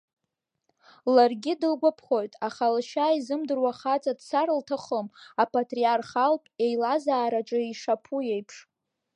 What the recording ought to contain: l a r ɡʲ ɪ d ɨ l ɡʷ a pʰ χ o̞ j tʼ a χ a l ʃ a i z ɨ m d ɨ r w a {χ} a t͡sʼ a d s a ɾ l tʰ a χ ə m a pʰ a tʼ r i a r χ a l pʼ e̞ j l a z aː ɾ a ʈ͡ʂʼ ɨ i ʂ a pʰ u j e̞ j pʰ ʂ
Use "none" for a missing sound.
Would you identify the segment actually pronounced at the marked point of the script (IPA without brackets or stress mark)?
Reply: χ